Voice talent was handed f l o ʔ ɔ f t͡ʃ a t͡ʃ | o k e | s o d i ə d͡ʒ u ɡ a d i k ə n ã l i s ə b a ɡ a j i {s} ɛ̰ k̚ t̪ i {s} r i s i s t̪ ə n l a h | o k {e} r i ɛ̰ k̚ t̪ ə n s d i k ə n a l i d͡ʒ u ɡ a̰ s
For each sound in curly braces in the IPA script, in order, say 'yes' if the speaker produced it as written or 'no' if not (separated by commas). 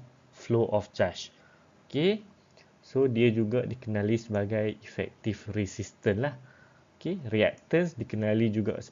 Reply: no, no, yes